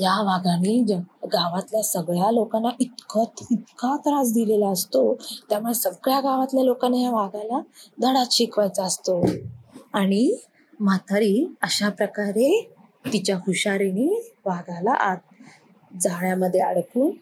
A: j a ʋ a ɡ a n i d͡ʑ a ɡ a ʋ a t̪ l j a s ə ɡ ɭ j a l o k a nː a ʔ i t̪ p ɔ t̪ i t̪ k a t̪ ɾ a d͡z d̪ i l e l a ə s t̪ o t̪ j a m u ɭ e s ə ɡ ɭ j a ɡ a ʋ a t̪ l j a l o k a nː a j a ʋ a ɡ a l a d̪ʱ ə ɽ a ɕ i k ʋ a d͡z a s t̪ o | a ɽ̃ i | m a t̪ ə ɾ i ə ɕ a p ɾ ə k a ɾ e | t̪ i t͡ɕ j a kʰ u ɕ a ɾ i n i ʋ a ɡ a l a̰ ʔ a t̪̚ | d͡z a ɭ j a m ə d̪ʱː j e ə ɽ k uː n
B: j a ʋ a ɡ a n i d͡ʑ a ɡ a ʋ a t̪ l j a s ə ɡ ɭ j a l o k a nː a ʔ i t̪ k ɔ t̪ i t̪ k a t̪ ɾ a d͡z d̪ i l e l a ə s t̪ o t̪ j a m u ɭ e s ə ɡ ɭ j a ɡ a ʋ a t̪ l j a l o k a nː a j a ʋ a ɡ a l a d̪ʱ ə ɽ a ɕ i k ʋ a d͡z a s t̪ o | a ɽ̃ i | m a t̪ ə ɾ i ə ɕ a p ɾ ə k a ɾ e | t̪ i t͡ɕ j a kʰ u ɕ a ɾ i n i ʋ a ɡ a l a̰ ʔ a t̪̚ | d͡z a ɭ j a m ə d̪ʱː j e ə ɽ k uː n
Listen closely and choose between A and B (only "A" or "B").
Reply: B